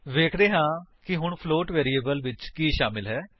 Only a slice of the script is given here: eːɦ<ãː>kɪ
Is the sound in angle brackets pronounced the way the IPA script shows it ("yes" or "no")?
yes